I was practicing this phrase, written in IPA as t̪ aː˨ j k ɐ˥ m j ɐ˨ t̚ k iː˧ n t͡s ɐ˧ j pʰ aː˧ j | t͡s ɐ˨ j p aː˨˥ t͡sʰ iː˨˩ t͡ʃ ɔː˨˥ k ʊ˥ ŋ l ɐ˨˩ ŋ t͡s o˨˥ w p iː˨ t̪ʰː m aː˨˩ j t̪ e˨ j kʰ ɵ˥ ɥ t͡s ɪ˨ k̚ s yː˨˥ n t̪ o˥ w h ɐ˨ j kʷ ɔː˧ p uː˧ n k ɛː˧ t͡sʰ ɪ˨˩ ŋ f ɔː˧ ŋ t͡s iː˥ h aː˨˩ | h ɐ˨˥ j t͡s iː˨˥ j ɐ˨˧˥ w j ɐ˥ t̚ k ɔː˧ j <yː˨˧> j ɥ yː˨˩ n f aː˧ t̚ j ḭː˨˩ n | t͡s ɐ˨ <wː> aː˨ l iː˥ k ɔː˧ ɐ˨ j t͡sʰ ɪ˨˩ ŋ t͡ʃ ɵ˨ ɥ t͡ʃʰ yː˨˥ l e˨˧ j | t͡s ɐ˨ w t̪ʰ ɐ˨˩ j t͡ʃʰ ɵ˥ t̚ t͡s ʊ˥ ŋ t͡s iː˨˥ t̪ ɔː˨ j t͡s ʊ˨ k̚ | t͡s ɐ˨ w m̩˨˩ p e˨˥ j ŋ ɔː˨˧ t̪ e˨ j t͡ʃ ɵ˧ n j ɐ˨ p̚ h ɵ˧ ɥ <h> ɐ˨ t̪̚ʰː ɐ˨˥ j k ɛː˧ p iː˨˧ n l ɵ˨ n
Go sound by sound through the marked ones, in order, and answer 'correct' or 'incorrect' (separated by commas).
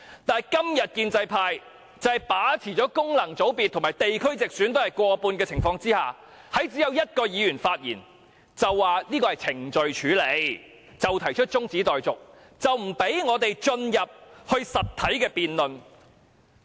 incorrect, correct, incorrect